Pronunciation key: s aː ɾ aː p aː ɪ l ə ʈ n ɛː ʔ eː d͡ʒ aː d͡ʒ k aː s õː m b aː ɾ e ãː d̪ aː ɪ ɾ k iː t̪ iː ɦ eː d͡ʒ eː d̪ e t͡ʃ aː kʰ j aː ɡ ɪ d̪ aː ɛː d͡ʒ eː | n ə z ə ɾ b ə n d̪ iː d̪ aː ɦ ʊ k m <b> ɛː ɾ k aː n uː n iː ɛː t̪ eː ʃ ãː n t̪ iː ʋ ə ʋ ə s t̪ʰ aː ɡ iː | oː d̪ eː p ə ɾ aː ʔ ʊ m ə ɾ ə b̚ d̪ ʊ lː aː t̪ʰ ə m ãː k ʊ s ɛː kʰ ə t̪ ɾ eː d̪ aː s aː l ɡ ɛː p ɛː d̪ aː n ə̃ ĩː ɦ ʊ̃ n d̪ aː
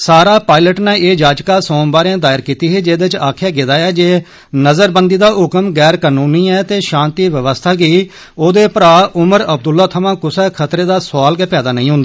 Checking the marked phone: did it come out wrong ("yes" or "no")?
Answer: yes